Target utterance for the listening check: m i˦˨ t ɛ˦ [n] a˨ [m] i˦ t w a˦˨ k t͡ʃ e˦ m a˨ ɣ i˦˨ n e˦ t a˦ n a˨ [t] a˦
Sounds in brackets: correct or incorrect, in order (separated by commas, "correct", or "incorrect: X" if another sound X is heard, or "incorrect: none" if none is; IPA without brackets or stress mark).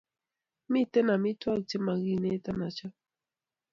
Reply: correct, correct, incorrect: t͡ʃ